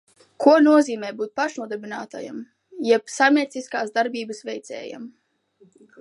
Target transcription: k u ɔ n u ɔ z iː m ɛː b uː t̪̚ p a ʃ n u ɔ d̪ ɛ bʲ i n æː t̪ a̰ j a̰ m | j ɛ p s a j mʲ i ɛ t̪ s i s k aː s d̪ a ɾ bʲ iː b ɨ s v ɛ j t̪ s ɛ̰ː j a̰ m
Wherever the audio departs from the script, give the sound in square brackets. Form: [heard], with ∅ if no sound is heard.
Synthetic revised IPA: k u ɔ n u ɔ z iː m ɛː b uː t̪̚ p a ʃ n u ɔ d̪ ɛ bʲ i n [aː] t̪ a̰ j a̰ m | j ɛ p s a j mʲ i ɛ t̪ s i s k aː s d̪ a ɾ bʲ iː b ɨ s v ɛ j t̪ s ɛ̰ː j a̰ m